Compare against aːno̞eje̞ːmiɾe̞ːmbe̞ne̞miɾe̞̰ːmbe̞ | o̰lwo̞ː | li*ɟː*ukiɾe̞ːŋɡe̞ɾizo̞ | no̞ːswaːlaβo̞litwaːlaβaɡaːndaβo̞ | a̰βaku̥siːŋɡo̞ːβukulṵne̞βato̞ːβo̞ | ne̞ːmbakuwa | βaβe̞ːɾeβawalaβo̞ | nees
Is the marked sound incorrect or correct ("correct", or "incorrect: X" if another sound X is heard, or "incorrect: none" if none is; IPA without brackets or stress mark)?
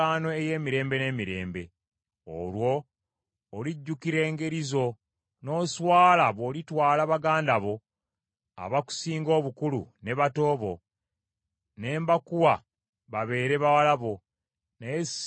correct